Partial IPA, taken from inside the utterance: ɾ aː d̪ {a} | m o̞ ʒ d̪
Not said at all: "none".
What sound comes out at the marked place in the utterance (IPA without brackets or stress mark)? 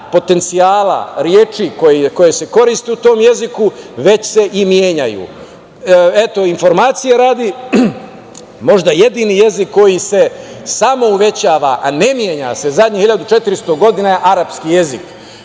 i